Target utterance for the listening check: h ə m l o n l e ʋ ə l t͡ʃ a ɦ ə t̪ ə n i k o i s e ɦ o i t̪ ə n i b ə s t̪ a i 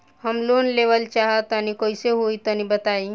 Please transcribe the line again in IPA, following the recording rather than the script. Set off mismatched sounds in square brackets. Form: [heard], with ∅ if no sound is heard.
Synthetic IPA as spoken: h ə m l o n l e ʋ ə l t͡ʃ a ɦ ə t̪ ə n i k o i s e ɦ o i t̪ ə n i b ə [∅] t̪ a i